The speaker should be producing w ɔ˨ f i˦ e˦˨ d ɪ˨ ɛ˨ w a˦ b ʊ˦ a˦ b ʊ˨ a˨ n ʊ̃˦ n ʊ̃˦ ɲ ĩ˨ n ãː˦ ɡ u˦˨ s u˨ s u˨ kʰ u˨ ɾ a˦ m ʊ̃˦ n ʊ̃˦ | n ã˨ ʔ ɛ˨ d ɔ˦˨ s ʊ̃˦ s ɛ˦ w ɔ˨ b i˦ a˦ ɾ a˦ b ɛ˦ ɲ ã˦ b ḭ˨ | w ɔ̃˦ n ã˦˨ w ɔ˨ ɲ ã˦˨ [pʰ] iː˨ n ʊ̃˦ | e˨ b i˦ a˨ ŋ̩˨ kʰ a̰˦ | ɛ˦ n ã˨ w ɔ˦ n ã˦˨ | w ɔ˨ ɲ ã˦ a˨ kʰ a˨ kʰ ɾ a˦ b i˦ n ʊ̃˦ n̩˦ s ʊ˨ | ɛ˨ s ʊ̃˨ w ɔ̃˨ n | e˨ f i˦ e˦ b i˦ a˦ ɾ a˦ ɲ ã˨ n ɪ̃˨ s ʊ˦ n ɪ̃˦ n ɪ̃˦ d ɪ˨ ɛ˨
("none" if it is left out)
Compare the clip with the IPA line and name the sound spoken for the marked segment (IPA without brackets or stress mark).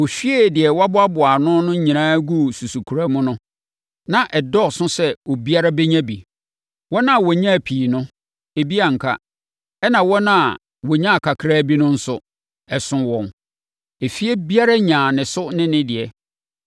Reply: pʰ